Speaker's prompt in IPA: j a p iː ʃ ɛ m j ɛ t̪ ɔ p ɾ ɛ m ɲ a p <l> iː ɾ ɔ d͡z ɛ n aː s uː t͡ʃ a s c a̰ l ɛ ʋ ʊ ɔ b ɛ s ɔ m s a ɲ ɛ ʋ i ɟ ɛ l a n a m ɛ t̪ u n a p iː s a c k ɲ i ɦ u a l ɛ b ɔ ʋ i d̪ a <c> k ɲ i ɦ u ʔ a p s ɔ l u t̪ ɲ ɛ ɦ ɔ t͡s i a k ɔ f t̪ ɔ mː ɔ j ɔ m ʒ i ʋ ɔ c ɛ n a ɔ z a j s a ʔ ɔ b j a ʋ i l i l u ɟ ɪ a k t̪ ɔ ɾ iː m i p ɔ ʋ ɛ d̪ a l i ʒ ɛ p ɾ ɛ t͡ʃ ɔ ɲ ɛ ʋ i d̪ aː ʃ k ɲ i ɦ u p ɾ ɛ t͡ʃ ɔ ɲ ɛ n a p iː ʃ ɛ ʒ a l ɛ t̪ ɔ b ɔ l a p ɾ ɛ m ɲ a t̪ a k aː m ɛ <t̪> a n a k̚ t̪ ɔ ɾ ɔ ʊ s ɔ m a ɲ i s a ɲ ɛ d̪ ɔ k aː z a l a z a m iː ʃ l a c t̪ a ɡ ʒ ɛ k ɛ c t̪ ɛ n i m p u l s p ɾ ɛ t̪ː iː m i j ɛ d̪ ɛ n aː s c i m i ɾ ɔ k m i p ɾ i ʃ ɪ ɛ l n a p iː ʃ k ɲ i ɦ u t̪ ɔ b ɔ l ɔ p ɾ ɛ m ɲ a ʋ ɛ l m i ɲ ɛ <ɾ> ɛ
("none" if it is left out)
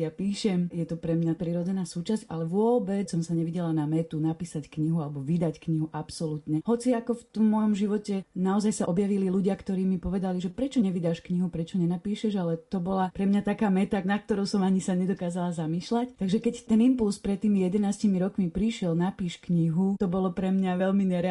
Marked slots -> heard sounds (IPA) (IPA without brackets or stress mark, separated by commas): ɾ, c, t̪, ɾ